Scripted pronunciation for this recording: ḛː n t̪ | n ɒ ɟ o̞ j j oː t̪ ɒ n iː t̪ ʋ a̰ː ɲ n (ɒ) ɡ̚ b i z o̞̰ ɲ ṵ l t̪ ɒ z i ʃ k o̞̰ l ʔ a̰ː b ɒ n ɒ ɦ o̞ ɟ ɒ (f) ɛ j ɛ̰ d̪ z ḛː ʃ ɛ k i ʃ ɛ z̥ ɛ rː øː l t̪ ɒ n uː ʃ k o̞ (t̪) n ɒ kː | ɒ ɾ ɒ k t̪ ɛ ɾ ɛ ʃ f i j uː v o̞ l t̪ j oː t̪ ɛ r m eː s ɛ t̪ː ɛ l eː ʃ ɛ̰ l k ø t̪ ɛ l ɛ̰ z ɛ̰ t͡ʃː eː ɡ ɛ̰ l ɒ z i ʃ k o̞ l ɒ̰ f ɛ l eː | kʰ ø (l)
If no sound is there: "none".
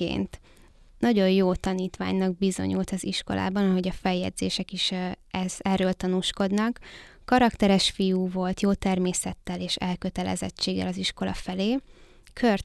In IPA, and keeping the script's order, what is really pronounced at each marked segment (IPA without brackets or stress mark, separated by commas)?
ɒ, f, d̪, r